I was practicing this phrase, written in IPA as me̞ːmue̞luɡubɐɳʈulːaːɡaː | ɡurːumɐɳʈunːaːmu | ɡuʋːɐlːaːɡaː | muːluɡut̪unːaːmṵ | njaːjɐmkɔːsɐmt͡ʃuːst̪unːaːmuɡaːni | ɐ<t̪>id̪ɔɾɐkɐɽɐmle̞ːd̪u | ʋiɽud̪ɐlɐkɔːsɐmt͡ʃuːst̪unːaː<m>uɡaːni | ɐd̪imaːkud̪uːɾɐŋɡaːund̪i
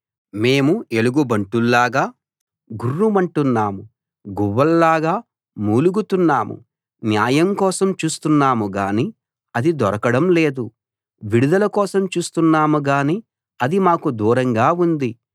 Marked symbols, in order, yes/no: no, yes

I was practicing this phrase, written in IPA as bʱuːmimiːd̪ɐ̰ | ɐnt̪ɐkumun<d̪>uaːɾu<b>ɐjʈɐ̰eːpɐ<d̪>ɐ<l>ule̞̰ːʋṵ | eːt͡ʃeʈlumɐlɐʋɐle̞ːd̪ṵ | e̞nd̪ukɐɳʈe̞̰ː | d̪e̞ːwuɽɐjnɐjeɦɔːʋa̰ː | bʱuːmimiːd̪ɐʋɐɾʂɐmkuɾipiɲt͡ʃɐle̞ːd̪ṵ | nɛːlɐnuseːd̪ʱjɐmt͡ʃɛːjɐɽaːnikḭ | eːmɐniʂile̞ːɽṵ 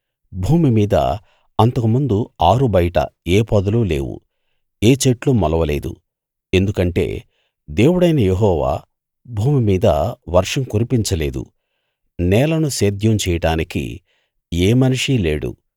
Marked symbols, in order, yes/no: yes, yes, yes, yes

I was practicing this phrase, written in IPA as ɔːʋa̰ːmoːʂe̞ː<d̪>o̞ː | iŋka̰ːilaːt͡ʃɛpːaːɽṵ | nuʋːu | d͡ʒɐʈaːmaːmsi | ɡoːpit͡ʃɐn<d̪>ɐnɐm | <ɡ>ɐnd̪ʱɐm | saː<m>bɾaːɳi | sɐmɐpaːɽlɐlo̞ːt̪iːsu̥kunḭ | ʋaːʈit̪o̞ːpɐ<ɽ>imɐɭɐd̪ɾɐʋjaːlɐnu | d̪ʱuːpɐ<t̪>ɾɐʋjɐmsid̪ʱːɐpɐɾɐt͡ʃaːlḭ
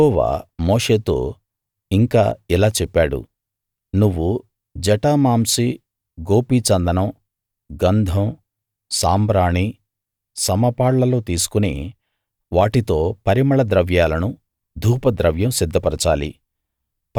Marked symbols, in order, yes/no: no, yes, yes, yes, no, no

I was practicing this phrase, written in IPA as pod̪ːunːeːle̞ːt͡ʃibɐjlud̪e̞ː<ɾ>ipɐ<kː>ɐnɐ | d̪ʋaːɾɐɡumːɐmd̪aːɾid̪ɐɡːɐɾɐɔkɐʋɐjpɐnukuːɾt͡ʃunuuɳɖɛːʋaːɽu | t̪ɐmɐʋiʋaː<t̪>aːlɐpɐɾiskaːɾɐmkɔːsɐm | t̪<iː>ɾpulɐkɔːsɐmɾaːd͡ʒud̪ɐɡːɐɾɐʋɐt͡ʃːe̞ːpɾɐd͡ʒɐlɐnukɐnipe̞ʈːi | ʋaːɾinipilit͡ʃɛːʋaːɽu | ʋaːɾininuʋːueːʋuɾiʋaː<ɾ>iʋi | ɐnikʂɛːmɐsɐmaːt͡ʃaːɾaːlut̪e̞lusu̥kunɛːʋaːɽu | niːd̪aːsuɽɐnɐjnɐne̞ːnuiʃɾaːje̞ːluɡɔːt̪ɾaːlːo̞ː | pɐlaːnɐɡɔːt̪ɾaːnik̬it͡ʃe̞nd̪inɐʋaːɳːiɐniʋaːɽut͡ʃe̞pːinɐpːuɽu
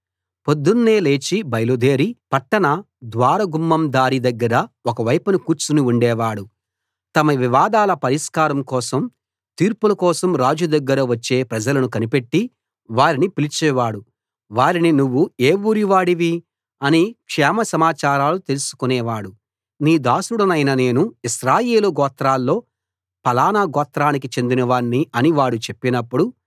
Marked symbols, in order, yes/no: yes, no, no, yes, no

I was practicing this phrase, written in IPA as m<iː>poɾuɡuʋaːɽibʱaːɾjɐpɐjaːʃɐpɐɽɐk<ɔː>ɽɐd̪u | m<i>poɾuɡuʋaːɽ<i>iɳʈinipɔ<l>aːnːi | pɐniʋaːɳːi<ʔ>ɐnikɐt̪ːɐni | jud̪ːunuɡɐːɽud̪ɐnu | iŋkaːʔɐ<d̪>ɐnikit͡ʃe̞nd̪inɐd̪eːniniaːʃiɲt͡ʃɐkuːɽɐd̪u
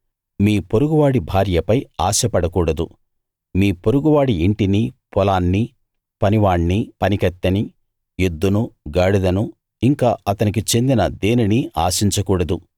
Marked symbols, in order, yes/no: yes, no, no, yes, yes, no, no

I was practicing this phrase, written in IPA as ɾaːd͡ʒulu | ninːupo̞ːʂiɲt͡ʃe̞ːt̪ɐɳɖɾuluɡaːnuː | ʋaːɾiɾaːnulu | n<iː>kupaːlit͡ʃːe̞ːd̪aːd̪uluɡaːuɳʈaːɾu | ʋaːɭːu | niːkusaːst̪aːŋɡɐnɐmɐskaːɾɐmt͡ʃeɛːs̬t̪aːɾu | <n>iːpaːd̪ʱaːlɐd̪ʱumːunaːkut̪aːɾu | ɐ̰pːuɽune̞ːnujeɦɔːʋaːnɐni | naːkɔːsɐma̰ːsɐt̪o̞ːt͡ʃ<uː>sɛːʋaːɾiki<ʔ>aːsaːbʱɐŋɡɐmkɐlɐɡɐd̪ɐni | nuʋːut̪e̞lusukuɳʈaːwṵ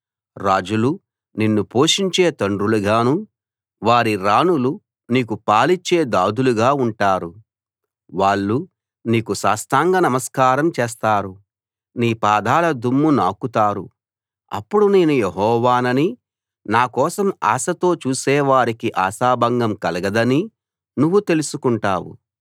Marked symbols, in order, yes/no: yes, yes, yes, yes

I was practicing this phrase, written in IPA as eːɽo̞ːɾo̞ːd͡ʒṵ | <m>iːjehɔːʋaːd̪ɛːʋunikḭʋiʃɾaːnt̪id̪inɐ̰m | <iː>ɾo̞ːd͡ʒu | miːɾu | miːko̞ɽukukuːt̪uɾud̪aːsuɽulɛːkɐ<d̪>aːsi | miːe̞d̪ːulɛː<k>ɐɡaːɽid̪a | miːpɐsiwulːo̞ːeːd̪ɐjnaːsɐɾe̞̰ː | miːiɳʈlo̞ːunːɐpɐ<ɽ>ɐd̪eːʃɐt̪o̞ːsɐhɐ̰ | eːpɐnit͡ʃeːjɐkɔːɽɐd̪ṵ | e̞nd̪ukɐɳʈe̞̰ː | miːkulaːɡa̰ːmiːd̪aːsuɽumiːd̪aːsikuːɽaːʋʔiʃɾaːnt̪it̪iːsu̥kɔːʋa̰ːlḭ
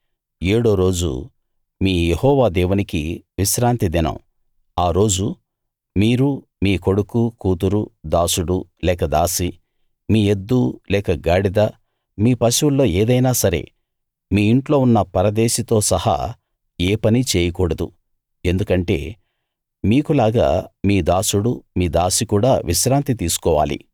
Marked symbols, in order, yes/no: yes, no, yes, yes, no

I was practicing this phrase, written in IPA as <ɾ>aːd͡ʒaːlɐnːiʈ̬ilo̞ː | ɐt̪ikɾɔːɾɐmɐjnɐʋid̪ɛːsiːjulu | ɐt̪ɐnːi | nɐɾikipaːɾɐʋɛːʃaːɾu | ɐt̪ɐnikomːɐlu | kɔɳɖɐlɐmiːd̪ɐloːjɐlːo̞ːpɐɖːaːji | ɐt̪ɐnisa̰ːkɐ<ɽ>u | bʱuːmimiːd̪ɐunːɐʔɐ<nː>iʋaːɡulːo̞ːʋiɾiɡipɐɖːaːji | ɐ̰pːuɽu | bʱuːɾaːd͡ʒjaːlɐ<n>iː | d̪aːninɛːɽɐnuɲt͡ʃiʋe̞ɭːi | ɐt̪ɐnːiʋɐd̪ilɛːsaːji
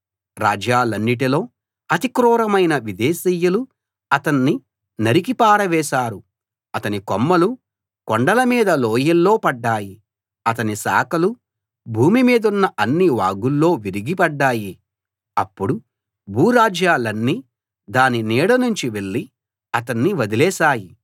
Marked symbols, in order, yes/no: yes, no, yes, no

